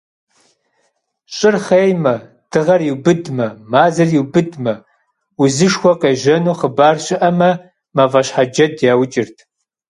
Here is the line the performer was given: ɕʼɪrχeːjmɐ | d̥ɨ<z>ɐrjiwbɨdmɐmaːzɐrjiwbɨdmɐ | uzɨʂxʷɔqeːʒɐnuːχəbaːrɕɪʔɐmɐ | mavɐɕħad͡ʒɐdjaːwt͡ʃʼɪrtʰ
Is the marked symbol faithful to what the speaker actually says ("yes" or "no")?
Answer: no